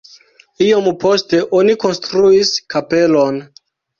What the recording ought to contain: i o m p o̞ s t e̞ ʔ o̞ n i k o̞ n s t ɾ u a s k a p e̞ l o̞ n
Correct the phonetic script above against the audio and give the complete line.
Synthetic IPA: i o m p o̞ s t e̞ ʔ o̞ n i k o̞ n s t ɾ u i s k a p e̞ l o̞ n